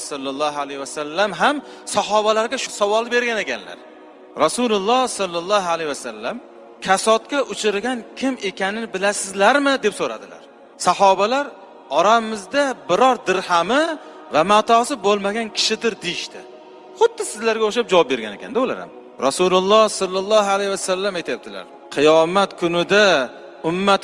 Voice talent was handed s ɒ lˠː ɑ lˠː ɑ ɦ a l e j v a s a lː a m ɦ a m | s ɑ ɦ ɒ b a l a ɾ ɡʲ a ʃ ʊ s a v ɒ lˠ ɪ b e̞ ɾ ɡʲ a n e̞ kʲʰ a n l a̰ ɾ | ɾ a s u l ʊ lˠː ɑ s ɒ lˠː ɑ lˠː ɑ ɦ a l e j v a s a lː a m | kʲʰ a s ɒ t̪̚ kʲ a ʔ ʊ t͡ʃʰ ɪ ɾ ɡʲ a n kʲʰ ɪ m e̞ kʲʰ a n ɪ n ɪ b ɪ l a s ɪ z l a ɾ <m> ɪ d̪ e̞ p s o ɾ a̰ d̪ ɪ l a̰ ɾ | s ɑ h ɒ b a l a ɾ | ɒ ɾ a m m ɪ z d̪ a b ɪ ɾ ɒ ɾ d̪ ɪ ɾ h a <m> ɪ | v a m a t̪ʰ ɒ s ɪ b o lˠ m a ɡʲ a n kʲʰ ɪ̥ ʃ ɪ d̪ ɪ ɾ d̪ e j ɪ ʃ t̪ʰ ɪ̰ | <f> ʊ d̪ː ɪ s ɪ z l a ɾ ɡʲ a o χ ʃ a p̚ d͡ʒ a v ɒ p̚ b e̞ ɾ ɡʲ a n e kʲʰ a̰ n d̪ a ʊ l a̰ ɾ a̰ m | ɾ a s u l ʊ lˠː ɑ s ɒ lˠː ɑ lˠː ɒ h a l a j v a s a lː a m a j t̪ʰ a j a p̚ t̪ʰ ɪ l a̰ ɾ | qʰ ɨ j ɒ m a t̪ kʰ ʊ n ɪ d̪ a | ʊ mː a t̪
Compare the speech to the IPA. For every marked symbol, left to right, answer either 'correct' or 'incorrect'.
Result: correct, correct, incorrect

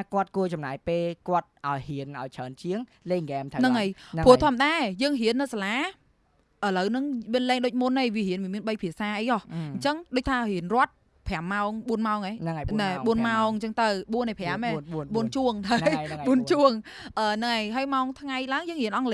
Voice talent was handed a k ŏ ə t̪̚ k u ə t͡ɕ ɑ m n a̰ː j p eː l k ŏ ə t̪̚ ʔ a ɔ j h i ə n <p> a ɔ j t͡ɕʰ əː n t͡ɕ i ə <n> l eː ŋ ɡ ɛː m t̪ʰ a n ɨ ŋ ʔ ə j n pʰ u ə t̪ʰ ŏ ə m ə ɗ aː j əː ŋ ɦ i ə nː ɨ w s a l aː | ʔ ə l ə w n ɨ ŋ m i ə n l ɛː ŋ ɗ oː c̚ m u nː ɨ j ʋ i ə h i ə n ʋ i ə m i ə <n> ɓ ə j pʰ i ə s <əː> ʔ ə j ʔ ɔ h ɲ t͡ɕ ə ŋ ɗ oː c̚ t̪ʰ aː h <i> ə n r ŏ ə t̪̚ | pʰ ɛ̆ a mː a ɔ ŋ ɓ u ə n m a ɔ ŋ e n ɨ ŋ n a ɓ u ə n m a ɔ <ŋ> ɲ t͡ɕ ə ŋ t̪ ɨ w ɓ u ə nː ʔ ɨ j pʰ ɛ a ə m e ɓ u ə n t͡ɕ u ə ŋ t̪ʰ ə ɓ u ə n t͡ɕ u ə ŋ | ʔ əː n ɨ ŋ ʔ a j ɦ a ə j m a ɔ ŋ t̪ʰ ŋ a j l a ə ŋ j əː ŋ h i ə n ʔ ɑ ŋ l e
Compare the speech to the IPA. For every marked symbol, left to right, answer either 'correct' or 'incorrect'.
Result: incorrect, incorrect, correct, incorrect, correct, correct

